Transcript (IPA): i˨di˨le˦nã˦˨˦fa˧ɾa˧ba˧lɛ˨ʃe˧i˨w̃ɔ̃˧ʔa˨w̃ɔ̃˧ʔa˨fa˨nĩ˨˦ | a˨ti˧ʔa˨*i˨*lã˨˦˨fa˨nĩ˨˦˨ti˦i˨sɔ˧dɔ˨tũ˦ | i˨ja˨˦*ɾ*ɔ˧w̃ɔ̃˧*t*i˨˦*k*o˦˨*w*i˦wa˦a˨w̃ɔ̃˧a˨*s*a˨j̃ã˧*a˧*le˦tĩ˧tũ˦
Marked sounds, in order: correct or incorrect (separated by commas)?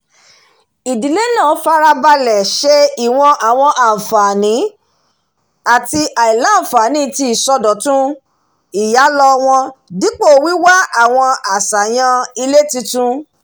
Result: correct, incorrect, incorrect, incorrect, correct, correct, incorrect